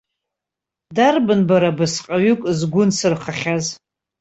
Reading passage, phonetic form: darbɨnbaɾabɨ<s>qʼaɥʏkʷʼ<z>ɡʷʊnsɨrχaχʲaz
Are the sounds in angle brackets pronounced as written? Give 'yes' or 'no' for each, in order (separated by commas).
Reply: yes, yes